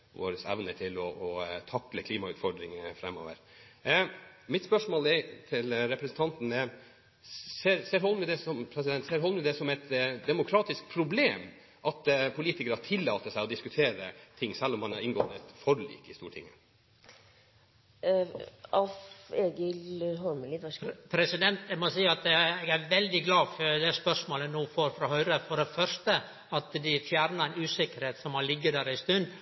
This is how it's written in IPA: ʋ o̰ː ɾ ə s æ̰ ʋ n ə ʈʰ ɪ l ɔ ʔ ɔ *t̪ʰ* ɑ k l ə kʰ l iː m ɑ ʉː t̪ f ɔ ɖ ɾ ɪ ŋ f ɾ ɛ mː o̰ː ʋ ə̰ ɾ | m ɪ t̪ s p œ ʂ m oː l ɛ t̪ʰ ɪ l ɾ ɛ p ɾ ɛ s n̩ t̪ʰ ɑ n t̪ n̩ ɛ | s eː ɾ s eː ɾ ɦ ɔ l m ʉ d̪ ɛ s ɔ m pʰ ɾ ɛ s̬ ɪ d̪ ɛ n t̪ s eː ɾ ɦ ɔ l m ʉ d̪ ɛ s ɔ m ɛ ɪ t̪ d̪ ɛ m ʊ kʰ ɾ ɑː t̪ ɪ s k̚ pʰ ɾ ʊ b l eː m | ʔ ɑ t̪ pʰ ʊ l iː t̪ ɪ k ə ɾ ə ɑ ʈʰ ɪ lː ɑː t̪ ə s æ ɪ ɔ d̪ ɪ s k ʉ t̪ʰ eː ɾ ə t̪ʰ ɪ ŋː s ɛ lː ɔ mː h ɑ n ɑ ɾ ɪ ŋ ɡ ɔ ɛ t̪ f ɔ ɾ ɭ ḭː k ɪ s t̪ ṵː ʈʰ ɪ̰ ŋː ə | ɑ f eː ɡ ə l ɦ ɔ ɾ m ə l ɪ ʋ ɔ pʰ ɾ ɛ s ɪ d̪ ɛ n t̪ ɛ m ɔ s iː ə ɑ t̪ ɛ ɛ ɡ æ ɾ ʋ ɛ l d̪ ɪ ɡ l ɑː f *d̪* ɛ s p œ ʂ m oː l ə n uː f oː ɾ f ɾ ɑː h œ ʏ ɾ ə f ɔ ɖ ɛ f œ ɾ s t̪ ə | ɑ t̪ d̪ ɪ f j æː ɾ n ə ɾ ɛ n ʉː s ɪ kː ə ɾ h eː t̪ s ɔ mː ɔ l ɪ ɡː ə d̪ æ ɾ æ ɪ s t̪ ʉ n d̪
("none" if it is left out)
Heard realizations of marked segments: t̪ʰ, d̪

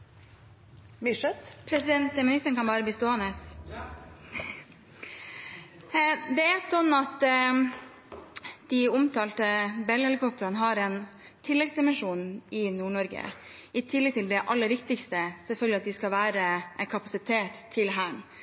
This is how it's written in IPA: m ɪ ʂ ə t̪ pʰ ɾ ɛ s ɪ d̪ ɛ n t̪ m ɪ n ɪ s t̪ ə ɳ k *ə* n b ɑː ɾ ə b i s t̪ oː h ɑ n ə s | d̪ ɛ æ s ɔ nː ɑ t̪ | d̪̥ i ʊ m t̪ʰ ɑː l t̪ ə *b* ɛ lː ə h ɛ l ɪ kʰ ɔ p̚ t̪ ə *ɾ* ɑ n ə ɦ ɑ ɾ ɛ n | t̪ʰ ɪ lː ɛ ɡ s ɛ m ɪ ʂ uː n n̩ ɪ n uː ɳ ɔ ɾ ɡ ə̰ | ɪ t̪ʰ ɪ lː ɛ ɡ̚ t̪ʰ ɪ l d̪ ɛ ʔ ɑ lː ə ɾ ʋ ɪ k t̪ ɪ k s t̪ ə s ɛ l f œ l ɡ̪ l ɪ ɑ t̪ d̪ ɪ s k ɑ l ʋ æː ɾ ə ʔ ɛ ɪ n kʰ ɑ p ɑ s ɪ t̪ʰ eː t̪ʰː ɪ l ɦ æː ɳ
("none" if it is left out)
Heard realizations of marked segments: ɑ, b, ɾ

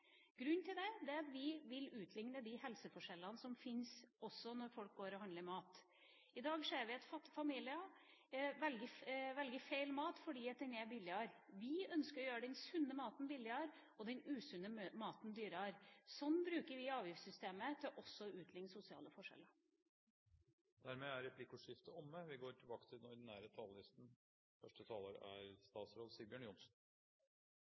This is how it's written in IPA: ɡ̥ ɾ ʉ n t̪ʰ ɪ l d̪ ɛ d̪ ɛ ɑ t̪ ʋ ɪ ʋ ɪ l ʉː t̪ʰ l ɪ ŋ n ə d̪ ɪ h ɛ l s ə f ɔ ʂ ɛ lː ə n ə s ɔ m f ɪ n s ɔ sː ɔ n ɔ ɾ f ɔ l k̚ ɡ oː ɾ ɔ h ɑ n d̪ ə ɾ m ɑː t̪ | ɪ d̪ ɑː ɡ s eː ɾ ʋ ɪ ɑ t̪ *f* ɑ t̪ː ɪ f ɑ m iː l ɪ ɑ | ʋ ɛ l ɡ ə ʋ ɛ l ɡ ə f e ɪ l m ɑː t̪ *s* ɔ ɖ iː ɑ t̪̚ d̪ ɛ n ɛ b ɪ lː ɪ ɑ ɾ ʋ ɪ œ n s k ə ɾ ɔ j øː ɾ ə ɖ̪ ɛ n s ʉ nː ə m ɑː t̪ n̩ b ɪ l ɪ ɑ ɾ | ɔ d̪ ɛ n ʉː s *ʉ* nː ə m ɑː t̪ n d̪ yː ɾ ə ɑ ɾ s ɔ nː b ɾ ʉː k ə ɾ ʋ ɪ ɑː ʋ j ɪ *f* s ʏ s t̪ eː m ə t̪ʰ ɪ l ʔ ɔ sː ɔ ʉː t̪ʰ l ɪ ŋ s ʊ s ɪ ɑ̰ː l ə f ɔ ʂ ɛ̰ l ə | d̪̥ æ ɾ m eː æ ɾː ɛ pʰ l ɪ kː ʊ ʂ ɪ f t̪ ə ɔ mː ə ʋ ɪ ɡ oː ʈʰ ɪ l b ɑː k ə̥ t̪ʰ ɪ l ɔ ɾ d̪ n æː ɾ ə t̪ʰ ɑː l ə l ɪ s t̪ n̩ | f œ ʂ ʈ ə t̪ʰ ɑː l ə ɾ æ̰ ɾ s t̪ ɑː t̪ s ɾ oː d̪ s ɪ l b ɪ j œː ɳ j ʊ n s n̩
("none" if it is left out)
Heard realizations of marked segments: f, f, ʉ, f

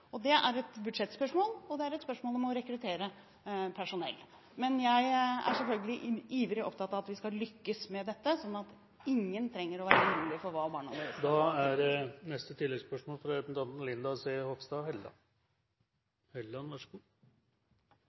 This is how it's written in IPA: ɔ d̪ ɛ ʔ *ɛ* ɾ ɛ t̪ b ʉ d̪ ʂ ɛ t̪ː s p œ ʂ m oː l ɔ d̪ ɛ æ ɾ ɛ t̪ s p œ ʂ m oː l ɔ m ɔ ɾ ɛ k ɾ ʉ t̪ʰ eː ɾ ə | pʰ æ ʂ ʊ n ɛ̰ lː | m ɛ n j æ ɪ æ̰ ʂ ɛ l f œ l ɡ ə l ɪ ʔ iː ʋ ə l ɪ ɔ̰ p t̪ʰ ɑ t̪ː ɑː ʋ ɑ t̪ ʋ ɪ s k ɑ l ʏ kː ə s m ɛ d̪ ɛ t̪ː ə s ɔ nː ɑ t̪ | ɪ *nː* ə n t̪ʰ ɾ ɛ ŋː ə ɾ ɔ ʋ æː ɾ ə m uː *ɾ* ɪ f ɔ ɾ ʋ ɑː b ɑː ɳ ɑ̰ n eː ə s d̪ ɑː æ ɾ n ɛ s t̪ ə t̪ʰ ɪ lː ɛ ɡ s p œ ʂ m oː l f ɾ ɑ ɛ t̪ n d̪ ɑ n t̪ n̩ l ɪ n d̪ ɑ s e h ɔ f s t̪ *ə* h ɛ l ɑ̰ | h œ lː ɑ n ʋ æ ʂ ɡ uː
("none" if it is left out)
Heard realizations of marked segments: æ, ŋː, l, ɑ

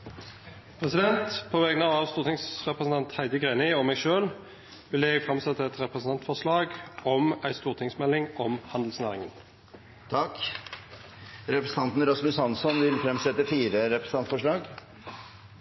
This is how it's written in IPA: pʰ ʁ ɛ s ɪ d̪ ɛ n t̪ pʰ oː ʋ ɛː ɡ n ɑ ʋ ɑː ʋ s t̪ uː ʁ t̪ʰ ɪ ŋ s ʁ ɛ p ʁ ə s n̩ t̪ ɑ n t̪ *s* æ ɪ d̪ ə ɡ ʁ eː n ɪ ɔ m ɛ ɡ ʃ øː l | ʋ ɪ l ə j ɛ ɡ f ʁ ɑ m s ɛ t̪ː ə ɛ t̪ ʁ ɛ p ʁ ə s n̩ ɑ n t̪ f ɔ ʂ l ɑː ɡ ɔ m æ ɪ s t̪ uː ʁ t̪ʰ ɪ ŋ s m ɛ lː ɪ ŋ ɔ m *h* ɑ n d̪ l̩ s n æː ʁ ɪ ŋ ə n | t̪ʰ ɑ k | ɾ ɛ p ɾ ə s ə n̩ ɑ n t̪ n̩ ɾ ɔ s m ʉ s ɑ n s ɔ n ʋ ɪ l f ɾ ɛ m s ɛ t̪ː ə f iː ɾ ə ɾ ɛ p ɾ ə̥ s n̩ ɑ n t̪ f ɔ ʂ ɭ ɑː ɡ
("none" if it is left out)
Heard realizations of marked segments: h, h

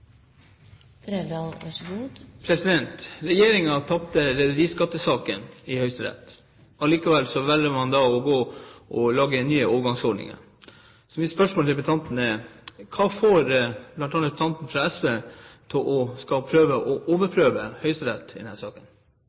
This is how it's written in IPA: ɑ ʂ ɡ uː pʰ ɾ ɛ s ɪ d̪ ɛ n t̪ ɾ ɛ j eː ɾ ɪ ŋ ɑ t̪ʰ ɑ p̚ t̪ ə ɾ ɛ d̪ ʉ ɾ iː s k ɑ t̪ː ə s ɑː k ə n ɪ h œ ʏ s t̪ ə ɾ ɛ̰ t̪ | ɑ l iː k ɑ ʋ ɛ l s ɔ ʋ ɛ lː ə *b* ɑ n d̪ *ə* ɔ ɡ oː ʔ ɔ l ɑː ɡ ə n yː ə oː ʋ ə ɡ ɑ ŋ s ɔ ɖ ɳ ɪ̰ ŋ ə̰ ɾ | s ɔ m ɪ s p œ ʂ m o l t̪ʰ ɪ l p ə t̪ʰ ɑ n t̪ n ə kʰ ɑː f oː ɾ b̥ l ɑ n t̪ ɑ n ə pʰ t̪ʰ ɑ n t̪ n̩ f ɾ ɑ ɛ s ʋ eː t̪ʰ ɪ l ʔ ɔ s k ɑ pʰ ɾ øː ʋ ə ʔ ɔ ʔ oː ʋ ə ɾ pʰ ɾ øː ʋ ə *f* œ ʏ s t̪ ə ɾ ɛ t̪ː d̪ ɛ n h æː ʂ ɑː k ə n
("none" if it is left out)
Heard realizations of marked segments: m, ɑ, h

